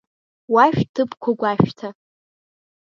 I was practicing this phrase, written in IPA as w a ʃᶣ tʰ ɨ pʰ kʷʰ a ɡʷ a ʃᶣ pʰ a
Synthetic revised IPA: w a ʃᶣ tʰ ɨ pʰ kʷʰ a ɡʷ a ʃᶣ tʰ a